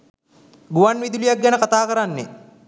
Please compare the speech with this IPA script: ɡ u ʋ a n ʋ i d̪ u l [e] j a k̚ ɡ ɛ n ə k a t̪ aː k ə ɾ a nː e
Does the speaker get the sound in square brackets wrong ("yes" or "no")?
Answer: yes